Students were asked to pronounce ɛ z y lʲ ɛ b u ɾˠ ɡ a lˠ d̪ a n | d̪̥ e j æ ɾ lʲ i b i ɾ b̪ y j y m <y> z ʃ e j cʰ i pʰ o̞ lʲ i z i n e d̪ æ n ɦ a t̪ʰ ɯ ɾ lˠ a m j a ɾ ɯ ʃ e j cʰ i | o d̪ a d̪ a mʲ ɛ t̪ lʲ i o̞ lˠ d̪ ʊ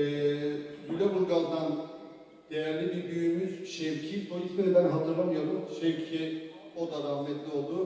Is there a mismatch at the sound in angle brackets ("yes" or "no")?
no